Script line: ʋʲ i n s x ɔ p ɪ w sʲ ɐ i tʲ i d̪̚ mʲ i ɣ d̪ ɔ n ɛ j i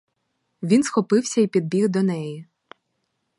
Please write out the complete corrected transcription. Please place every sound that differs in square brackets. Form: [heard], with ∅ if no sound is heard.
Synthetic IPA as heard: ʋʲ i n s x ɔ p ɪ w sʲ ɐ i [pʲ] i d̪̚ [bʲ] i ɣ d̪ ɔ n ɛ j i